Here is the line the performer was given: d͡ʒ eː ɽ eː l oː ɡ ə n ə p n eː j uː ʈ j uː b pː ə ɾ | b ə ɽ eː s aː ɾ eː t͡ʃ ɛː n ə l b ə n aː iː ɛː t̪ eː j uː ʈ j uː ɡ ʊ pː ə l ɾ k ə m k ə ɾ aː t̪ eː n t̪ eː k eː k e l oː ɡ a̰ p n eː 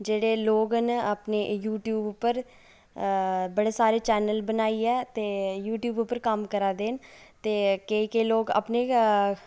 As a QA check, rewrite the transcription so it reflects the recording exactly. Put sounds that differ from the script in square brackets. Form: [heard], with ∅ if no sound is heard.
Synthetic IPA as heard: d͡ʒ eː ɽ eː l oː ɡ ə n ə p n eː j uː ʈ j uː b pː ə ɾ | b ə ɽ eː s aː ɾ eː t͡ʃ ɛː n ə l b ə n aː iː ɛː t̪ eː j uː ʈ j uː [b] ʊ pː ə [∅] ɾ k ə m k ə ɾ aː [d̪] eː n t̪ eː k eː k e l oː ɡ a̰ p n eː